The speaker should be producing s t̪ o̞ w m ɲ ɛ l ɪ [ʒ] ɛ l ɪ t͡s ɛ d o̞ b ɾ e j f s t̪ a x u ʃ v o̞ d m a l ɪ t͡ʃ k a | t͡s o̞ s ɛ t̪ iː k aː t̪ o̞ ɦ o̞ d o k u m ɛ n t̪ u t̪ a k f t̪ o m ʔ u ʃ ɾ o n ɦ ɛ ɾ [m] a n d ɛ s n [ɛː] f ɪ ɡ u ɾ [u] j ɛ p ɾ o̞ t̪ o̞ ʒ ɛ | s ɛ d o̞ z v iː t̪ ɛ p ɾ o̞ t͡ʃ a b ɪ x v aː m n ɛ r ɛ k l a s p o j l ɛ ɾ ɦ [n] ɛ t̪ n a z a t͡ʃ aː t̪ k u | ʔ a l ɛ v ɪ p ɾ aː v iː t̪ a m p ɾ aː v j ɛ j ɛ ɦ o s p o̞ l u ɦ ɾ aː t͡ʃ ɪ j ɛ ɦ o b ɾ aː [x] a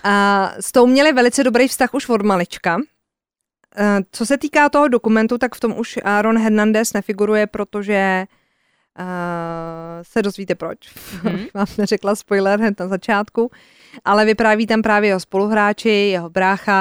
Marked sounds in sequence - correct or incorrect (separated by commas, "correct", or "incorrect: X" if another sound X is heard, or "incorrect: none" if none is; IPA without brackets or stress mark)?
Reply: incorrect: v, incorrect: n, incorrect: ɛ, correct, correct, correct